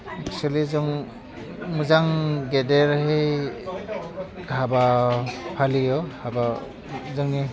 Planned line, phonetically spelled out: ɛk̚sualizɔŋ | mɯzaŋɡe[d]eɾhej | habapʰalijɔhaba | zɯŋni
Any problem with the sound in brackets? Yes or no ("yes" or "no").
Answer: no